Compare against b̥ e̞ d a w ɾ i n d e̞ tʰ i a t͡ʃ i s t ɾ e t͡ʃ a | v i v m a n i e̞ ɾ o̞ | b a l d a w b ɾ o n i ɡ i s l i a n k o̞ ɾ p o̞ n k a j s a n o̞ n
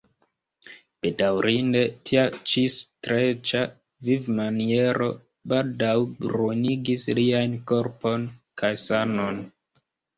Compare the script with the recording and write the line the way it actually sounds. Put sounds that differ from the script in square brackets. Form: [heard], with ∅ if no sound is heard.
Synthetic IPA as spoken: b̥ e̞ d a w ɾ i n d e̞ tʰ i a t͡ʃ i s t ɾ e t͡ʃ a | v i v m a n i e̞ ɾ o̞ | b a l d a w b ɾ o n i ɡ i s l i a n k o̞ ɾ p o̞ n k a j s a n o̞ n